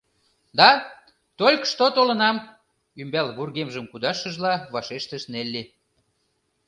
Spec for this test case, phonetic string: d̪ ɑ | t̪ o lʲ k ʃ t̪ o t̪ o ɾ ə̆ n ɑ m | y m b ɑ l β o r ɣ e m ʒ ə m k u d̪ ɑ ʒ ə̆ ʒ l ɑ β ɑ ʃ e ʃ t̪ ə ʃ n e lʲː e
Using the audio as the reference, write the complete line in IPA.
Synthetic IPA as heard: d̪ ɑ | t̪ o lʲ k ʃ t̪ o t̪ o l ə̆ n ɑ m | y m b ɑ l β u r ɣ e m ʒ ə m k u d̪ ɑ ʃ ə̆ ʒ l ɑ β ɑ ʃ e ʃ t̪ ə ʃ n e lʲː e